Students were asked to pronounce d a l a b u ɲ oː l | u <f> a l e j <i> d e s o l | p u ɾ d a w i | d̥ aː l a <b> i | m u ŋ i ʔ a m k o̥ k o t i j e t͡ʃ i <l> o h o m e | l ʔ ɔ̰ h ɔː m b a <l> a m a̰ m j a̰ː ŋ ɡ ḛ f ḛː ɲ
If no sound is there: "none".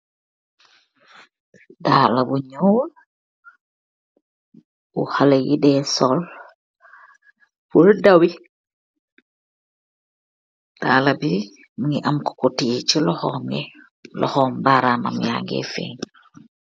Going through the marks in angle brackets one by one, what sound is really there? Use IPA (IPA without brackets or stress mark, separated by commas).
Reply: h, i, b, l, ɾ